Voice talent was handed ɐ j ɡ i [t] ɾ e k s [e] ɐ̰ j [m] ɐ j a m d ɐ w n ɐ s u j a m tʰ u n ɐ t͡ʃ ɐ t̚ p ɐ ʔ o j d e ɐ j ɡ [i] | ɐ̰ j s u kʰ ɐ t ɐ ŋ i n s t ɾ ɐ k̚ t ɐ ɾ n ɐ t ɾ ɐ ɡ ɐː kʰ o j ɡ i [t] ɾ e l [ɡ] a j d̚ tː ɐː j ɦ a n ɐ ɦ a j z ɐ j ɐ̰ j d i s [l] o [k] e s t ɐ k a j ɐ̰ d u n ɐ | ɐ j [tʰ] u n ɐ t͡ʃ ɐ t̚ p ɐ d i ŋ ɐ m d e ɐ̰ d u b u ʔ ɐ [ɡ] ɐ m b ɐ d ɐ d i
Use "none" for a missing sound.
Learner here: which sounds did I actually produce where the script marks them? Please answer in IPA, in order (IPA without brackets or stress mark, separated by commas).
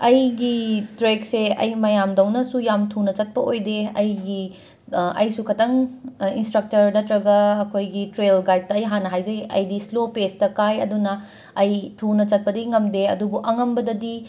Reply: t, e, m, i, t, ɡ, l, p, tʰ, ŋ